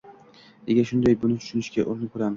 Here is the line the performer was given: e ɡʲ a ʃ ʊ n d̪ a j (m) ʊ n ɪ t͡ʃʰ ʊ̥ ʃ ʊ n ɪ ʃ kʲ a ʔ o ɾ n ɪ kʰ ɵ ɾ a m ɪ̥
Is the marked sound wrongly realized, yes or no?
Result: yes